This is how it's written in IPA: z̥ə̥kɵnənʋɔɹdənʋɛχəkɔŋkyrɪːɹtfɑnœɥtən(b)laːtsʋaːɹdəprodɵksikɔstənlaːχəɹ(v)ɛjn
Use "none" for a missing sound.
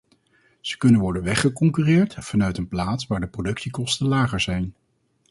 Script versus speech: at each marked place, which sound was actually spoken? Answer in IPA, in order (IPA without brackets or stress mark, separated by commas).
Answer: p, z